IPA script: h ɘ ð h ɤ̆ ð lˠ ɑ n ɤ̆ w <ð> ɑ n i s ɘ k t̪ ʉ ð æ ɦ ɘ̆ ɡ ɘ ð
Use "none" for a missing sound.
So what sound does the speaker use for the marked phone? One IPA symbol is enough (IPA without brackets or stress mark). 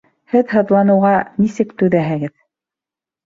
ʁ